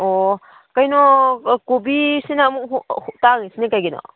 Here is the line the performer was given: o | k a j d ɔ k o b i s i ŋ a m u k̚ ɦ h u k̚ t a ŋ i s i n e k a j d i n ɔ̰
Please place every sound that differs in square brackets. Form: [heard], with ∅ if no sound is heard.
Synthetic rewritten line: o | k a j [n] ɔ k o b i s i [n] a m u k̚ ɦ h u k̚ t a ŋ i s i n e k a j [ɡ] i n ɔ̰